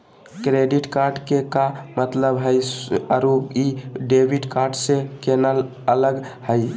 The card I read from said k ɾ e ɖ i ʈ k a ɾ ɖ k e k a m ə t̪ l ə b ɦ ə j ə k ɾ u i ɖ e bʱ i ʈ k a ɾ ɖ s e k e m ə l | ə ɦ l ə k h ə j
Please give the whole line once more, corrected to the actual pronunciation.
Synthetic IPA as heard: k ɾ e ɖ i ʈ k a ɾ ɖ k e k a m ə t̪ l ə b ɦ ə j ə ɾ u i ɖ e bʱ i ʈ k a ɾ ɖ s e k e n ə l | ə l ə ɡ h ə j